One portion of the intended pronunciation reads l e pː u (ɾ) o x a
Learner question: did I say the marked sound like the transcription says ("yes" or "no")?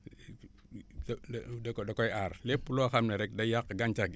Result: no